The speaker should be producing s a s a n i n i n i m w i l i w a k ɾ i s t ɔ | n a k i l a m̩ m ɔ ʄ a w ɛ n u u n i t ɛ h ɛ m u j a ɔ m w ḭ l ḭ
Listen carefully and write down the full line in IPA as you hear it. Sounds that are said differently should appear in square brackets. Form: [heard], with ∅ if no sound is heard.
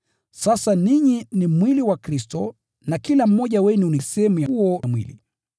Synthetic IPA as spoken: s a s a n i [ɲ] i n i m w i l i w a k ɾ i s t ɔ | n a k i l a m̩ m ɔ ʄ a w ɛ n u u n i [s] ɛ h ɛ m u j a ɔ m w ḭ l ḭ